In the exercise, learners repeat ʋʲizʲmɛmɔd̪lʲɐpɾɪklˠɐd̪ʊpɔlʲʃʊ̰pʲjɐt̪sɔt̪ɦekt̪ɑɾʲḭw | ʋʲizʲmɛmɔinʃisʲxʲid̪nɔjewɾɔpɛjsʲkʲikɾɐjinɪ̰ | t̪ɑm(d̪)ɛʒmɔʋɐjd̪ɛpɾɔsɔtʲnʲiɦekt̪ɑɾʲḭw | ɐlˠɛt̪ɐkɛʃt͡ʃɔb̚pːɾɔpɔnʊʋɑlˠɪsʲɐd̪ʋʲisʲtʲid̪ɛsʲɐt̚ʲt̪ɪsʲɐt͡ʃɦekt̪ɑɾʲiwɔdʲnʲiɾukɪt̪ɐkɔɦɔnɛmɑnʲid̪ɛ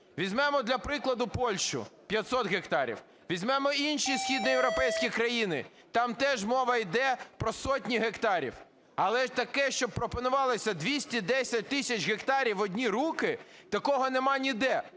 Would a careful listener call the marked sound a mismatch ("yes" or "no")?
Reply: yes